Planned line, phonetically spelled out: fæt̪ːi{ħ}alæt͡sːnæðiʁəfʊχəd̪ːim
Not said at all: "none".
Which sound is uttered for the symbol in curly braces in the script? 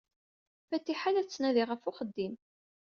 ħ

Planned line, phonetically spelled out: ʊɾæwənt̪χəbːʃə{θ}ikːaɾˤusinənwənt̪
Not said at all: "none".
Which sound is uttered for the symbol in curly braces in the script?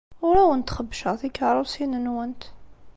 θ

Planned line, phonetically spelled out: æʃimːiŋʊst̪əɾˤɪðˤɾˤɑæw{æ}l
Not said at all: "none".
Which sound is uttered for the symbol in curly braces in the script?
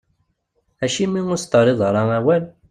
æ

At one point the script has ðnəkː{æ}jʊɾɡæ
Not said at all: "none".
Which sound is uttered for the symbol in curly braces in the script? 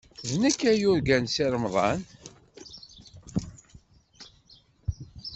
æ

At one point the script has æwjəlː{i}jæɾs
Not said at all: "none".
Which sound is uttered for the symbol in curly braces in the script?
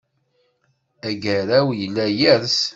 æ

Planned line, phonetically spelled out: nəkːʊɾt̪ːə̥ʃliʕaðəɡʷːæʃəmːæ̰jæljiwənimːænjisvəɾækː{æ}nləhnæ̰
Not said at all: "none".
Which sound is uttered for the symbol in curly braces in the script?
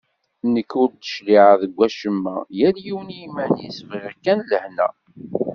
æ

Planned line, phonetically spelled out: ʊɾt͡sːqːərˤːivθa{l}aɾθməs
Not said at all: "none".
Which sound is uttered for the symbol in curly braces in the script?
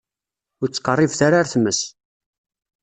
ɾ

